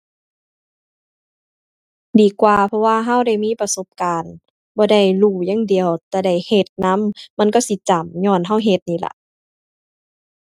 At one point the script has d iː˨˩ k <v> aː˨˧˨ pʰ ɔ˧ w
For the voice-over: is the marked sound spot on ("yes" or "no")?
no